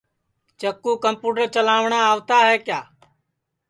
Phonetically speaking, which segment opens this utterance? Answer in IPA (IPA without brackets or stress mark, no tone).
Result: t͡ʃ